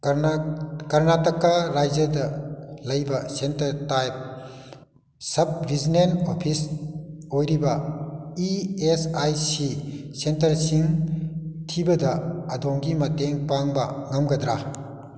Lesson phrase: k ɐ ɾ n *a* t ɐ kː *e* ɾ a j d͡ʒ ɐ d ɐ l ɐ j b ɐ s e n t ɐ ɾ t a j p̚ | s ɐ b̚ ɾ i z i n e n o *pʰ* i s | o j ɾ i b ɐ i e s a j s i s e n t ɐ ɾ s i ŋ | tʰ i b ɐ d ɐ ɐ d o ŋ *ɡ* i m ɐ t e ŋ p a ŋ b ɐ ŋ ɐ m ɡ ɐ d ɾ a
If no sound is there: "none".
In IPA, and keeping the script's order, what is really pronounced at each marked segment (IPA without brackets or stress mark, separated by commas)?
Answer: a, a, pʰ, ɡ